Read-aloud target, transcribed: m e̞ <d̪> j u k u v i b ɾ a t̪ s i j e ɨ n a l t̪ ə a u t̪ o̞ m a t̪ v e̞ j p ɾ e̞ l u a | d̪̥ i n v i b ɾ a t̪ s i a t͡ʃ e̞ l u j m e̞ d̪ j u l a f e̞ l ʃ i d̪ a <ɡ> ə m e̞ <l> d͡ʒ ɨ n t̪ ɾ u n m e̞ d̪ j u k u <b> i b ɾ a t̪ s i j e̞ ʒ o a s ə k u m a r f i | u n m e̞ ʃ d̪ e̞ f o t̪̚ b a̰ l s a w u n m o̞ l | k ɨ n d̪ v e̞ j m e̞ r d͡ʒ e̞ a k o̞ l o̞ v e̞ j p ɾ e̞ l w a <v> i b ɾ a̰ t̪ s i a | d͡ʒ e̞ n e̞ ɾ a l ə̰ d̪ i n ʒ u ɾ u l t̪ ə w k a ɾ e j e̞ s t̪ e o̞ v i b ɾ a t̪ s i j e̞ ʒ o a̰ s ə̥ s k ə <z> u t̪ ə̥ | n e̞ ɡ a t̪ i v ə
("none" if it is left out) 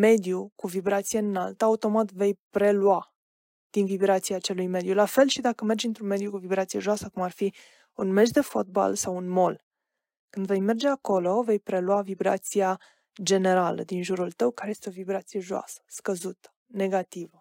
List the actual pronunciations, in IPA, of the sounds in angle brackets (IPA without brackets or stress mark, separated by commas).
d̪, k, r, v, v, z